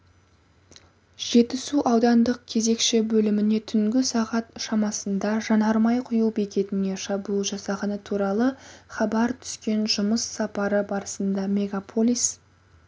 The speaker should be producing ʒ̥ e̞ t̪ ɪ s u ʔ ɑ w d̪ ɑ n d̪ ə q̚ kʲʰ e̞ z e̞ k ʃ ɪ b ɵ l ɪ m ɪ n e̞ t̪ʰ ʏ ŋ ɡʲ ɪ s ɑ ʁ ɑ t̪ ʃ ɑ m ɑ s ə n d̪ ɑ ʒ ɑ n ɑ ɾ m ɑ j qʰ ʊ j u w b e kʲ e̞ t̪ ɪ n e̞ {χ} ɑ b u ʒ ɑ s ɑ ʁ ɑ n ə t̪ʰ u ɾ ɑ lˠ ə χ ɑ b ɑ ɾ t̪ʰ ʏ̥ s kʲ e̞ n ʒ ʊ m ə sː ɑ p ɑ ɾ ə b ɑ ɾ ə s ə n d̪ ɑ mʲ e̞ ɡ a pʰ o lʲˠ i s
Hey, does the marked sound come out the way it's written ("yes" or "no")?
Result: no